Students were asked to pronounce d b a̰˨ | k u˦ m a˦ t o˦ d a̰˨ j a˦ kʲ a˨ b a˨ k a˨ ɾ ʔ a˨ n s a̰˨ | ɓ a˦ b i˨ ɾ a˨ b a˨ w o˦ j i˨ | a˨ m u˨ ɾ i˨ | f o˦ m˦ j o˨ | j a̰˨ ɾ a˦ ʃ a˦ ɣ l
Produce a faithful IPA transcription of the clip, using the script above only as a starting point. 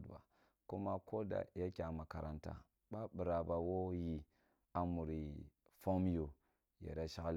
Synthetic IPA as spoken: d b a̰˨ | k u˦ m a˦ k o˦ d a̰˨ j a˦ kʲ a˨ m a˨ k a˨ ɾ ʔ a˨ n t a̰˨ | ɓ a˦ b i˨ ɾ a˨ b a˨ w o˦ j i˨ | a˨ m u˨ ɾ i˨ | f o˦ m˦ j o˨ | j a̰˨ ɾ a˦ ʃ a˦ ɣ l